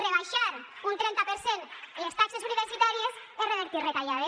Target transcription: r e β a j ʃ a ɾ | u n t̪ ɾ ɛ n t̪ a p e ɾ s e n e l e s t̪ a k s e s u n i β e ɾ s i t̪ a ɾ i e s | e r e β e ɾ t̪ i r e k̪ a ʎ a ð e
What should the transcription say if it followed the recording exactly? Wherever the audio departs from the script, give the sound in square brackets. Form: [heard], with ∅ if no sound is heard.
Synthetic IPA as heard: r e β a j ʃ a ɾ | u n t̪ ɾ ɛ n t̪ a p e ɾ s e n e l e s t̪ a k s e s u n i β e ɾ s i t̪ a ɾ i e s | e r e β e ɾ t̪ i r e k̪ a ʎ a ð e